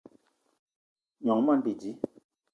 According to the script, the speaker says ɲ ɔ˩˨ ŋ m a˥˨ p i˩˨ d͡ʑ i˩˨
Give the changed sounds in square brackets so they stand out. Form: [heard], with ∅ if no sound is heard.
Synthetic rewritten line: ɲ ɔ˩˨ ŋ m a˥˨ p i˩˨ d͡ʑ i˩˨